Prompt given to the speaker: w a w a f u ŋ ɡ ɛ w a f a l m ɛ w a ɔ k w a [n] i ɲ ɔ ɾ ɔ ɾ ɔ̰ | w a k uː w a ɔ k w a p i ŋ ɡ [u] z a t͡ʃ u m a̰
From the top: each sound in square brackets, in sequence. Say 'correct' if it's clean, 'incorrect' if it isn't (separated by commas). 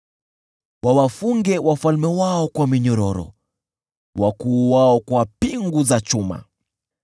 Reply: incorrect, correct